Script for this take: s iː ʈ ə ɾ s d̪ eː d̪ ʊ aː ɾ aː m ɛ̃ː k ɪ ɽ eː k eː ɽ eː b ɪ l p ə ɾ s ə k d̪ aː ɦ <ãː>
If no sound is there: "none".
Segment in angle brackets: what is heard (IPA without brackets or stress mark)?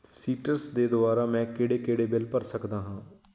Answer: ãː